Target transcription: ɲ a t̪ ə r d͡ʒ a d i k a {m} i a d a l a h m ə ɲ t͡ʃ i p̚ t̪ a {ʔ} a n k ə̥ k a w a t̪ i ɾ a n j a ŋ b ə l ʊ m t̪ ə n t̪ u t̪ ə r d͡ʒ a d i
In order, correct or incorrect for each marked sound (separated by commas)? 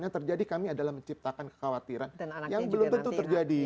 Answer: correct, incorrect